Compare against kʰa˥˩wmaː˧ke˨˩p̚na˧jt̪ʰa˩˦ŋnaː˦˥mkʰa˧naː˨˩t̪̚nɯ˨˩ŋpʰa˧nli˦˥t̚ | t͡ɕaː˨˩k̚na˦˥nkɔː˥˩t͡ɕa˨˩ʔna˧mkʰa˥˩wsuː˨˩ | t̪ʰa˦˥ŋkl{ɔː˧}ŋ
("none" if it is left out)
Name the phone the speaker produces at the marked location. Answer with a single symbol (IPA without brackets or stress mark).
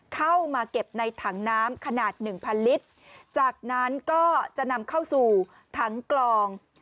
ɔː˧